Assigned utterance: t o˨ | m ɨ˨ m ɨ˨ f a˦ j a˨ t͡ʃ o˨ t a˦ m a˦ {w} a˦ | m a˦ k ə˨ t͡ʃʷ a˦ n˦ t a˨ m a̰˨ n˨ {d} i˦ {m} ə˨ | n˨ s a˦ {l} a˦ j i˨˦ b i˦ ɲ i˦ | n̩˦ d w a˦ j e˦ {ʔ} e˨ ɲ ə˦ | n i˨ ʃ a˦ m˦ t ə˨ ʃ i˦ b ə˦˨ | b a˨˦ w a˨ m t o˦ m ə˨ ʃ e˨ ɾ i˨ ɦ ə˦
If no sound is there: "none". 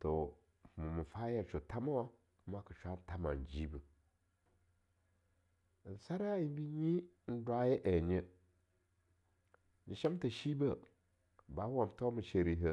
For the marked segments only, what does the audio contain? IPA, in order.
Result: w, d͡ʒ, b, ɾ, ʔ

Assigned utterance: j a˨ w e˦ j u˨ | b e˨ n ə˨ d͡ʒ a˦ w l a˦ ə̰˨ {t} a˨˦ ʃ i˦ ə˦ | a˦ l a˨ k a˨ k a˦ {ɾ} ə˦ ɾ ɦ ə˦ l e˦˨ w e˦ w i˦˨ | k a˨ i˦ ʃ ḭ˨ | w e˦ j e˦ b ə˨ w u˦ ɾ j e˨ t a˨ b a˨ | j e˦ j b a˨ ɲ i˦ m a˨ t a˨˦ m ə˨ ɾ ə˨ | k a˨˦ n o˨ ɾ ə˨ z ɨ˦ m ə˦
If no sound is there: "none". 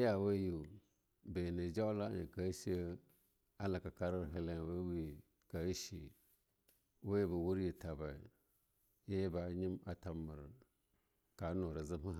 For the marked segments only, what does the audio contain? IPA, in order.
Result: k, ɾ

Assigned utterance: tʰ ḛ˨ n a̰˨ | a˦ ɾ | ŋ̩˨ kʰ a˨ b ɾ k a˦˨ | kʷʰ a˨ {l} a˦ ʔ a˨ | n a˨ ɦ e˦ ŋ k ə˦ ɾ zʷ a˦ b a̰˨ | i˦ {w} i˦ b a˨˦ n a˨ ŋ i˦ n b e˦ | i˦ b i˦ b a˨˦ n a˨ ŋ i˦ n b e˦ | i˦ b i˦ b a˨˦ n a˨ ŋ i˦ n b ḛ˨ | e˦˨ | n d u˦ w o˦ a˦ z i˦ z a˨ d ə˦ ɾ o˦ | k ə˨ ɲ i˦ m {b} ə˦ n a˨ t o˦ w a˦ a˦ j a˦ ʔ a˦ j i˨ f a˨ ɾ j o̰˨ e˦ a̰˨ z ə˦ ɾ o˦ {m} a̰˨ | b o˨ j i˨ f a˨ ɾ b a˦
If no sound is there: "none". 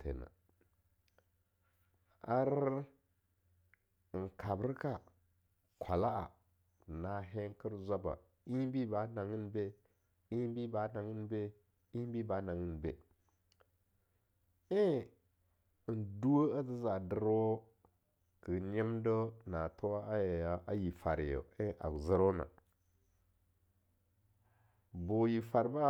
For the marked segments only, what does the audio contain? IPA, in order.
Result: l, b, d, n

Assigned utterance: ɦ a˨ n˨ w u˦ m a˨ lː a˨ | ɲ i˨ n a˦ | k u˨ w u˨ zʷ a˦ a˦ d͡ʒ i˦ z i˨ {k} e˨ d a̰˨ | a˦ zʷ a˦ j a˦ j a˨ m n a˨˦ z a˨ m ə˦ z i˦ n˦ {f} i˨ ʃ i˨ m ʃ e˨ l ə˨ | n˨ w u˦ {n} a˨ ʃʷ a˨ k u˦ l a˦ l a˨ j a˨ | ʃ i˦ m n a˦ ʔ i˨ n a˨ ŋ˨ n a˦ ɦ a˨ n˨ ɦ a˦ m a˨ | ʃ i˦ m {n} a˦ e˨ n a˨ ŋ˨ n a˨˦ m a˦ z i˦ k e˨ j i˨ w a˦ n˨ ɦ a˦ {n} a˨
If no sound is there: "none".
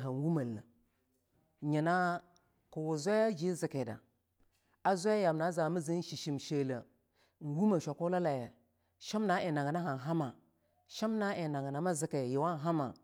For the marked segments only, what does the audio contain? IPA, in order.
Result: k, ʃ, m, n, m

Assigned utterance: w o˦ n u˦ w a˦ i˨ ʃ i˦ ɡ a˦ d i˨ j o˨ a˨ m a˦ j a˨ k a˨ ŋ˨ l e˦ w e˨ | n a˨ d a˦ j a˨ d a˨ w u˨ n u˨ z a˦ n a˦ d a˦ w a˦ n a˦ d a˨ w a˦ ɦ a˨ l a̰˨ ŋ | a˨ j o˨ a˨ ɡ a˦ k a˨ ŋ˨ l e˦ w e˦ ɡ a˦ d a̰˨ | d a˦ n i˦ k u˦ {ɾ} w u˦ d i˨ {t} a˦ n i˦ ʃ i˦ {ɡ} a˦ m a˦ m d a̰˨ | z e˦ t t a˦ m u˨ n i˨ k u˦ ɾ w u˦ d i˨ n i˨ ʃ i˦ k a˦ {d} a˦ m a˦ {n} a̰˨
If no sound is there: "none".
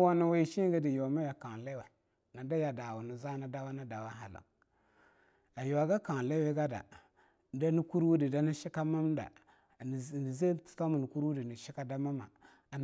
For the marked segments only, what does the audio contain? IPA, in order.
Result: ɾ, d, k, d, m

